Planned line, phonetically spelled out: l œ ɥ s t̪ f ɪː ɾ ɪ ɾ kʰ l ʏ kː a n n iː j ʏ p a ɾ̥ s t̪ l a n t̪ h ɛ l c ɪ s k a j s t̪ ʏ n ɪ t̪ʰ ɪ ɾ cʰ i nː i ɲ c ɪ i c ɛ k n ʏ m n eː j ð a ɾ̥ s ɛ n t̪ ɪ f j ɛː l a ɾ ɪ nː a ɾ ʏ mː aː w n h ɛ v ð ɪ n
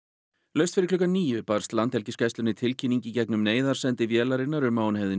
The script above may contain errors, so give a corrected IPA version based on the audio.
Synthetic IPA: l œ ɥ s t̪ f ɪ ɾ ɪ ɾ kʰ l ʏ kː a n n iː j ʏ p a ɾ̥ s t̪ l a n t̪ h ɛ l c ɪ s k a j s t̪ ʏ n ɪ t̪ʰ ɪ l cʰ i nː i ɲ c ɪ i c ɛ k n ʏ m n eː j ð a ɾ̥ s ɛ n t̪ ɪ v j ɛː l a ɾ ɪ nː a ɾ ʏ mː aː w n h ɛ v ð ɪ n

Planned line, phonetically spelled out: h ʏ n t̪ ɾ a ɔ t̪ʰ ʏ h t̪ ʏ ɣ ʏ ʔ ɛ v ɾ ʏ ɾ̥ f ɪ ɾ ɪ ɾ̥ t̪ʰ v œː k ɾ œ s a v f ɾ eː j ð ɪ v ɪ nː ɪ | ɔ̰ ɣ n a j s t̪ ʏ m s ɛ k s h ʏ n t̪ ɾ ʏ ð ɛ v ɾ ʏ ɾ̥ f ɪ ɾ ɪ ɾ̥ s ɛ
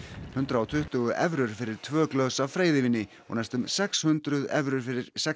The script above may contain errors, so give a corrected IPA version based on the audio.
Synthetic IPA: h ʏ n t̪ ɾ a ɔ t̪ʰ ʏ h t̪ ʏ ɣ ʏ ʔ ɛ v ɾ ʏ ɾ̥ f ɪ ɾ ɪ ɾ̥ t̪ʰ v œː k l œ s a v f ɾ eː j ð ɪ v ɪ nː ɪ | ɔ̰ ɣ n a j s t̪ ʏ m s ɛ k s h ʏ n t̪ ɾ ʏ ð ɛ v ɾ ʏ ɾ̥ f ɪ ɾ ɪ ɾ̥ s ɛ

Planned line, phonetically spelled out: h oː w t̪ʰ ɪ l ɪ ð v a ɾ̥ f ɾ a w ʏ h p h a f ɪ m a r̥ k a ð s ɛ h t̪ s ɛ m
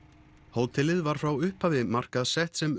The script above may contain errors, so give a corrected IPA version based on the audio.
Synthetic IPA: h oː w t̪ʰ ɪ l ɪ ð v a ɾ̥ f ɾ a w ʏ h p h a v ɪ m a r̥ k a ð s ɛ h t̪ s ɛ m

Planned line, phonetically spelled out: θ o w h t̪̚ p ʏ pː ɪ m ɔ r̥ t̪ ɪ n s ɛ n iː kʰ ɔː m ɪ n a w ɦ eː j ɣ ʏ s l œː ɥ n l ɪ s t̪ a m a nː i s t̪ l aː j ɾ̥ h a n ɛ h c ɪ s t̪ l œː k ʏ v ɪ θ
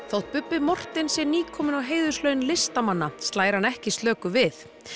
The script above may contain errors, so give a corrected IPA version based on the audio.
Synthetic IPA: θ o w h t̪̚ p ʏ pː ɪ m ɔ r̥ t̪ ɪ n s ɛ n iː kʰ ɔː m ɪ n a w ɦ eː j ð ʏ s l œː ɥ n l ɪ s t̪ a m a nː a s t̪ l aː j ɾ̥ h a n ɛ h c ɪ s t̪ l œː k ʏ v ɪ θ

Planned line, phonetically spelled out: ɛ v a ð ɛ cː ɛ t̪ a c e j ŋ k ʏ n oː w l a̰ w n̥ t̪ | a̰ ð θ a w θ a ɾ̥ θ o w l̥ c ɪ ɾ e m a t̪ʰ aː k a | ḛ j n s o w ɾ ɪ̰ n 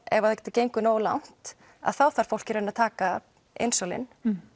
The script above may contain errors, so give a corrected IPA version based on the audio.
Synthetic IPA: ɛ v a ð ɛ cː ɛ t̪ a c e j ŋ k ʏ n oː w l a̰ w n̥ t̪ | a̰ ð θ a w θ a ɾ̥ f o w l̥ c ɪ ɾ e n a t̪ʰ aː k a | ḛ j n s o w l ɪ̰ n

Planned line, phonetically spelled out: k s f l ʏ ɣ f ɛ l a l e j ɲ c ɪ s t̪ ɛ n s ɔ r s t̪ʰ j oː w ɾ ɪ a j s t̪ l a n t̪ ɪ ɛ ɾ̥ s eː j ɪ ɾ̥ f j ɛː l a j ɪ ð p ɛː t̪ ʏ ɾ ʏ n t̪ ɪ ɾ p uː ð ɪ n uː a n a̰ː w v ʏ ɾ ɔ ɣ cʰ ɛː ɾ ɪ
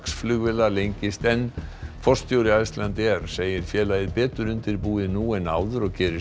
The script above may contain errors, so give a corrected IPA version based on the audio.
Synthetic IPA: k s f l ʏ ɣ v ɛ l a l e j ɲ c ɪ s t̪ ɛ n f ɔ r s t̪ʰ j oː w ɾ ɪ a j s t̪ l a n t̪ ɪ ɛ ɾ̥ s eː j ɪ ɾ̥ f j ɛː l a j ɪ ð p ɛː t̪ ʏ ɾ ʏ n t̪ ɪ ɾ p uː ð ɪ n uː ɛ n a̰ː w ð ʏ ɾ ɔ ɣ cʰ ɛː ɾ ɪ

